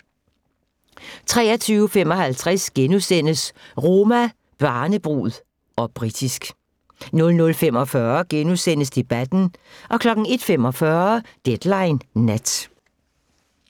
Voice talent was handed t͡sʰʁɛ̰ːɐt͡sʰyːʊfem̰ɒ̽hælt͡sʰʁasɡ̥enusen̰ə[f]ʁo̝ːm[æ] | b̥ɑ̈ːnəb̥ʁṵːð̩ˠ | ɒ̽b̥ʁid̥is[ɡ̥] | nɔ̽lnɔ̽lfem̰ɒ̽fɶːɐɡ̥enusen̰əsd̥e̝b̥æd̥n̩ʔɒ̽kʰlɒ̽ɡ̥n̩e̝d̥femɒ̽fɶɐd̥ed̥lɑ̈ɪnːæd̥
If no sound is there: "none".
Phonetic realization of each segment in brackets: s, æ, ɡ̥

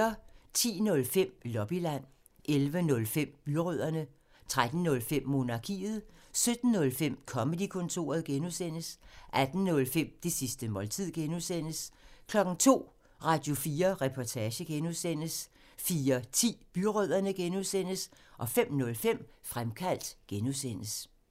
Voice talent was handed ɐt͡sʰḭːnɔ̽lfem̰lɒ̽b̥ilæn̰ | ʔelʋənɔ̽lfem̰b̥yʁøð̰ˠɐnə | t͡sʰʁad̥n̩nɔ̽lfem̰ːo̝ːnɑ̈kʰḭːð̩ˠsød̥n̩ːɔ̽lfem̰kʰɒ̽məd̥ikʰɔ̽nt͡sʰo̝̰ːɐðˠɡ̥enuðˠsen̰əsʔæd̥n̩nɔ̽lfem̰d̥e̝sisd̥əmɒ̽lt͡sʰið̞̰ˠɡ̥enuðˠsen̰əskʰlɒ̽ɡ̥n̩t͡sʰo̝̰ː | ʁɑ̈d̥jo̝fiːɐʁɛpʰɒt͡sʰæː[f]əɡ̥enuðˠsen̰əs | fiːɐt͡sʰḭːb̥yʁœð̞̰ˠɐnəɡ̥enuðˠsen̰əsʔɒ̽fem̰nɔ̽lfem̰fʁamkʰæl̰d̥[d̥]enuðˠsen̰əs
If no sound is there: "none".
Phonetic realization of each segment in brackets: ɕ, ɡ̥

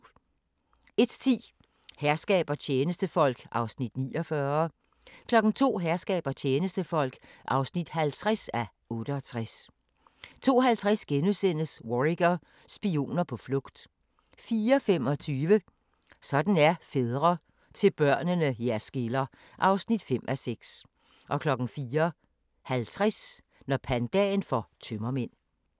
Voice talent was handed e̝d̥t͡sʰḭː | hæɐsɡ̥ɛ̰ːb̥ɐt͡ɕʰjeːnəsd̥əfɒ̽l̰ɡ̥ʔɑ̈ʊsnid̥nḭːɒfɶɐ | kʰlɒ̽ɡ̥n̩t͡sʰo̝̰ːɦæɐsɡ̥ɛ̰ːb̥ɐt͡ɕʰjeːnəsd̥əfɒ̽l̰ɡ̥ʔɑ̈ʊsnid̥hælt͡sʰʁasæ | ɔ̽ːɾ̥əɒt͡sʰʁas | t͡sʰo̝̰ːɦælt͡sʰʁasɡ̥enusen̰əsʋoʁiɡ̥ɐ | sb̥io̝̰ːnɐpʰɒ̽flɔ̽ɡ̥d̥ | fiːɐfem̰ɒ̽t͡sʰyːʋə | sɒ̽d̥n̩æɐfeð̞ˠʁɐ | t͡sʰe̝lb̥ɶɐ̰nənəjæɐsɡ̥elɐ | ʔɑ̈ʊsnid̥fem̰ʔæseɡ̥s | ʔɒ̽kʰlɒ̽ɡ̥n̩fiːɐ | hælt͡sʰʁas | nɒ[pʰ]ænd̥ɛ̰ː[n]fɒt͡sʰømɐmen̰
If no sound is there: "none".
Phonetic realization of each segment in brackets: pʰ, n

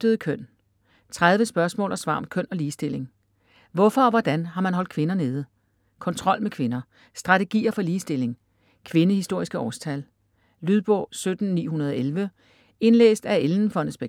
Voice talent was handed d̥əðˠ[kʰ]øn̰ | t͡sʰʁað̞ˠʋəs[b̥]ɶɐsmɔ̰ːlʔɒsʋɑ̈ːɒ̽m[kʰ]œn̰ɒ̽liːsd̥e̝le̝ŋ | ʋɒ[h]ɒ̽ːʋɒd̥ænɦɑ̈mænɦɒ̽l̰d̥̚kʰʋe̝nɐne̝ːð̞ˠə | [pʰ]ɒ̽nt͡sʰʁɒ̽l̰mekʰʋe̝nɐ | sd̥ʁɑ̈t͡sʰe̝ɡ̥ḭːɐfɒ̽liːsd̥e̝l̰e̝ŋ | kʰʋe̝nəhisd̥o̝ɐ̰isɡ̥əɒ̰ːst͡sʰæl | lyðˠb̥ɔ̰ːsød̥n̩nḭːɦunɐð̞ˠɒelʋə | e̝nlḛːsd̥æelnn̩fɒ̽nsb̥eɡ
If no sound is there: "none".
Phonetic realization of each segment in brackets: kʰ, b̥, kʰ, f, kʰ

